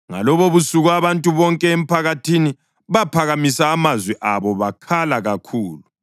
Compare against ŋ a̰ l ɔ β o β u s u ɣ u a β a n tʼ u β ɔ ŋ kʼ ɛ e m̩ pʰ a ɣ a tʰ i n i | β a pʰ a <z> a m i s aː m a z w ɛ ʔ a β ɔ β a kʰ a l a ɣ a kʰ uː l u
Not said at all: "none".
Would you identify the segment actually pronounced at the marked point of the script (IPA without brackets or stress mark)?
ɣ